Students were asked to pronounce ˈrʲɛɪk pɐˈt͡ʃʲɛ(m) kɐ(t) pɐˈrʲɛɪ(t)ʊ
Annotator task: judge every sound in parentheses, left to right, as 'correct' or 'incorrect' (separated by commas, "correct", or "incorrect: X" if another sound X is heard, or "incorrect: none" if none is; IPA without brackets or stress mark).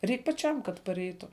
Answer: correct, correct, correct